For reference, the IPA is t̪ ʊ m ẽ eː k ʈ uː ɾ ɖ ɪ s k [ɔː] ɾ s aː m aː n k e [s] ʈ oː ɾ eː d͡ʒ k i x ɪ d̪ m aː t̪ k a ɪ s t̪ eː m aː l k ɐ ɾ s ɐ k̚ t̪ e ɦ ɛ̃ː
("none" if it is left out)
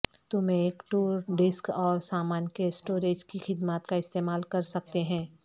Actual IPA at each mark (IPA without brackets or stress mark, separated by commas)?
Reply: ɔː, s